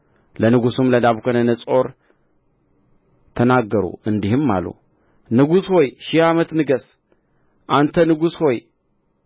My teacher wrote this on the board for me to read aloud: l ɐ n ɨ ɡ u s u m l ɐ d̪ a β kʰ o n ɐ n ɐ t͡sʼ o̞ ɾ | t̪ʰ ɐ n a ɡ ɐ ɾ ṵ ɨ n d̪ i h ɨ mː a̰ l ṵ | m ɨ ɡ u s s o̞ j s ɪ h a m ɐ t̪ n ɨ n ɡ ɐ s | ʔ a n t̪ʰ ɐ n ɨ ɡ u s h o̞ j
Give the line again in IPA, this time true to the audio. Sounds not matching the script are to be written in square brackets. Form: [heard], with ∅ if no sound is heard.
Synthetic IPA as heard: l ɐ n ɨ ɡ u s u m l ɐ d̪ a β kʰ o n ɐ n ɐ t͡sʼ o̞ ɾ | t̪ʰ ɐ n a ɡ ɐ ɾ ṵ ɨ n d̪ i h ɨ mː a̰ l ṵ | [n] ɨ ɡ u s [h] o̞ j [ʃ] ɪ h a m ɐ t̪ n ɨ [∅] ɡ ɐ s | ʔ a n t̪ʰ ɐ n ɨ ɡ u s h o̞ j

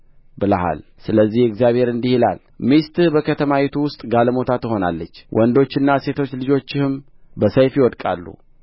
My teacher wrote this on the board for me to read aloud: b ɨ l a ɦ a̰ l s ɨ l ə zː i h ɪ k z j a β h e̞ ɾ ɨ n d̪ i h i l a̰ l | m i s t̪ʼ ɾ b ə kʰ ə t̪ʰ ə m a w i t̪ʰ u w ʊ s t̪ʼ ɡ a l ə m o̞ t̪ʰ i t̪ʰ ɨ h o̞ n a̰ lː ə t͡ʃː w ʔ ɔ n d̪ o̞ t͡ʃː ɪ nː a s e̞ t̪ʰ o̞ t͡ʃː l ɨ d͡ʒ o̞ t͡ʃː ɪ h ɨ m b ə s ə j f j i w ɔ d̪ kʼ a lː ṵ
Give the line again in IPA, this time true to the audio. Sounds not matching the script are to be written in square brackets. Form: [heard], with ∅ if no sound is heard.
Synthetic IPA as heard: b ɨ l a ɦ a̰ l s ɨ l ə zː i h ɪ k z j a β h e̞ ɾ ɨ n d̪ i h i l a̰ l | m i s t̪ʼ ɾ b ə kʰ ə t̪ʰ ə m a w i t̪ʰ u w ʊ s t̪ʼ ɡ a l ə m o̞ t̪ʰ [a] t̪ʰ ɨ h o̞ n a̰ lː ə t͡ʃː w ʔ ɔ n d̪ o̞ t͡ʃː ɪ nː a s e̞ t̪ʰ o̞ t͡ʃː l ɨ d͡ʒ o̞ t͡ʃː ɪ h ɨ m b ə s ə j f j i w ɔ d̪ kʼ a lː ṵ

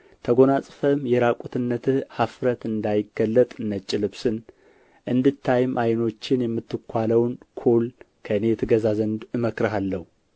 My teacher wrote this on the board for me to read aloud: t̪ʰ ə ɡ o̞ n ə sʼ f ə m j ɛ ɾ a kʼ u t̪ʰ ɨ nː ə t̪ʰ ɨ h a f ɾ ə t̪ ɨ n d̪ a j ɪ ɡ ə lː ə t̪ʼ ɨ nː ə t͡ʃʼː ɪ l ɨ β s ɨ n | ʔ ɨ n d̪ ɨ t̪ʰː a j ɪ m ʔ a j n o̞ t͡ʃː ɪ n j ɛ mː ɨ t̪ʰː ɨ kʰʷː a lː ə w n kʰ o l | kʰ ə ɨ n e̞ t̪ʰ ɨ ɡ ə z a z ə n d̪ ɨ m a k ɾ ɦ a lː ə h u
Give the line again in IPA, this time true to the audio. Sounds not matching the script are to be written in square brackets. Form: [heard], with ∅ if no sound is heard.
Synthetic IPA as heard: t̪ʰ ə ɡ o̞ n [a] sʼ f ə m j ɛ ɾ a kʼ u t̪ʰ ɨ nː ə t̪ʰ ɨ h a f ɾ ə t̪ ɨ n d̪ a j ɪ ɡ ə lː ə t̪ʼ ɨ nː ə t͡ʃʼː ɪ l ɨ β s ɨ n | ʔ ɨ n d̪ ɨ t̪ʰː a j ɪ m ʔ a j n o̞ t͡ʃː ɪ n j ɛ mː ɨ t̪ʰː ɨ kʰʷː a [l] ə w n kʰ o l | kʰ ə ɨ n e̞ t̪ʰ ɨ ɡ ə z a z ə n d̪ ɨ m [ə] k ɾ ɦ a lː ə h u

